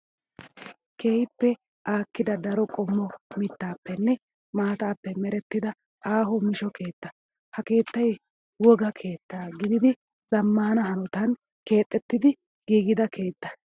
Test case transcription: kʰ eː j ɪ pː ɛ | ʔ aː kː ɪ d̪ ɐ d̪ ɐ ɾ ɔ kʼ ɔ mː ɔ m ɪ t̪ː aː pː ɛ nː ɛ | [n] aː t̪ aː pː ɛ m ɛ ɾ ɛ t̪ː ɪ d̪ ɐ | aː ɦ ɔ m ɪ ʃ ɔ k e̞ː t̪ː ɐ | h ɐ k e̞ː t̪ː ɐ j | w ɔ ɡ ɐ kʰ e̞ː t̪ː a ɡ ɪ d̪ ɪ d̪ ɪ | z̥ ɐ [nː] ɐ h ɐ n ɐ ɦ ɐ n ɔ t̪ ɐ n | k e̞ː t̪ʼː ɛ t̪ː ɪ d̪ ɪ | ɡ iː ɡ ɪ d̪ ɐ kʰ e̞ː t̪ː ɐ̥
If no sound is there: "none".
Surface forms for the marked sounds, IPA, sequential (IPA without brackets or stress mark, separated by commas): m, mː